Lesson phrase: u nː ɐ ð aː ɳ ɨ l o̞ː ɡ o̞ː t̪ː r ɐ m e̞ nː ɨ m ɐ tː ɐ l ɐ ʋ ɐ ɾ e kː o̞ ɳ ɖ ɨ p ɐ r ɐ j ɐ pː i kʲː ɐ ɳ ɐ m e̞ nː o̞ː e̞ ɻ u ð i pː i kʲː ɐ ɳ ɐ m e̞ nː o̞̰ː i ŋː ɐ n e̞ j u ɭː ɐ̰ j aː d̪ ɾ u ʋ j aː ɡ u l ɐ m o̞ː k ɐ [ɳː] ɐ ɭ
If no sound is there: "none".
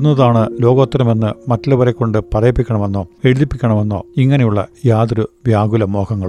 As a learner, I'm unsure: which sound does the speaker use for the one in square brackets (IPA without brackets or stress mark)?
ŋː